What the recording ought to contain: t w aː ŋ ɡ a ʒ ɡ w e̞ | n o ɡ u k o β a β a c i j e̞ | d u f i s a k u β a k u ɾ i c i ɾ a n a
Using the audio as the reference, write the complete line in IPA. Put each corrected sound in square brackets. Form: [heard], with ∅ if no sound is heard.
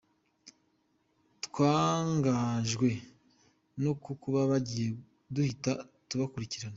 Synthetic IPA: t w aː ŋ ɡ a ʒ ɡ w e̞ | n o [k] u k [u] β a β a [ɟ] i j e̞ | d u [h] i [t] a [t] u β a k u ɾ i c i ɾ a n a